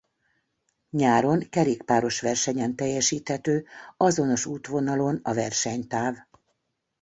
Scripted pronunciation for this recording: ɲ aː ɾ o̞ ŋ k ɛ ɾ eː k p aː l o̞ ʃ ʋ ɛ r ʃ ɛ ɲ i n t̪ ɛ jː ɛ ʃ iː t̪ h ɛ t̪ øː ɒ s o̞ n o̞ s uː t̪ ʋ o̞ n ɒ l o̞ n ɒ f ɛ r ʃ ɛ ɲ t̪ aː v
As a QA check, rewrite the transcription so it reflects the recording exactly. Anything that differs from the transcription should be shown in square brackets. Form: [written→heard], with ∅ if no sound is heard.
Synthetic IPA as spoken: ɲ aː ɾ o̞ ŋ k ɛ ɾ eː k p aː [l→ɾ] o̞ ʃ ʋ ɛ r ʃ ɛ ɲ [i→ɛ] n t̪ ɛ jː ɛ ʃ iː t̪ h ɛ t̪ øː ɒ [s→z] o̞ n o̞ [s→ʃ] uː t̪ ʋ o̞ n ɒ l o̞ n ɒ [f→v] ɛ r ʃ ɛ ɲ t̪ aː v